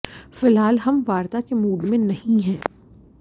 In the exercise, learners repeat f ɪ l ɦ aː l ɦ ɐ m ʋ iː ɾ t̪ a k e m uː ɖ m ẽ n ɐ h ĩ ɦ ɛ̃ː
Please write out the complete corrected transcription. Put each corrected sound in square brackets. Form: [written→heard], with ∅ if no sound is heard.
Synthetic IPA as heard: f ɪ l ɦ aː l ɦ ɐ m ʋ [iː→aː] ɾ t̪ a k e m uː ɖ m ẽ n ɐ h ĩ ɦ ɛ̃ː